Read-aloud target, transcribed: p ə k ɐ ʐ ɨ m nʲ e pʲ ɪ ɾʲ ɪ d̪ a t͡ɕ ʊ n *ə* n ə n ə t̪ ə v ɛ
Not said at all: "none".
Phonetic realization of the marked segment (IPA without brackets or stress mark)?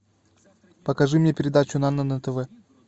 a